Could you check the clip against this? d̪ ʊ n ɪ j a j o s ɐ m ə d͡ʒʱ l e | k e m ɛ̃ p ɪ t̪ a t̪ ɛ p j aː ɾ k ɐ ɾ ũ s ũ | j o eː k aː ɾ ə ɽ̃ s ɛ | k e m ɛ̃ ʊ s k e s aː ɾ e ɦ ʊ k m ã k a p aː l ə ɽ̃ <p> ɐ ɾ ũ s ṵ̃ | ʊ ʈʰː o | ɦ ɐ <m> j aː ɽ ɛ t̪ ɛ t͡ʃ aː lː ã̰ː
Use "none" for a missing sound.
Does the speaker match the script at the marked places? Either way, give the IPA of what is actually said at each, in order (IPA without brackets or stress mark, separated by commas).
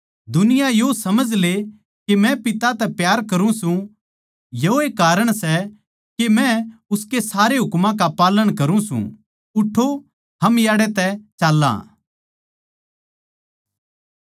k, m